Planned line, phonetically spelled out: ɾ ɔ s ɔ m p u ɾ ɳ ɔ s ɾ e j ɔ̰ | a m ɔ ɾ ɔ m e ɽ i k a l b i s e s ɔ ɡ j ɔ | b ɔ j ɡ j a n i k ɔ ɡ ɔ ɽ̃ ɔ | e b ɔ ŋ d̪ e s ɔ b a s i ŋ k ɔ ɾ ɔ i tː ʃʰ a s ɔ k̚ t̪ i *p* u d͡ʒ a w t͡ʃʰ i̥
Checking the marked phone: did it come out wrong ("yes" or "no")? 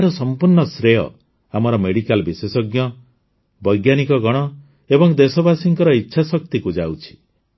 yes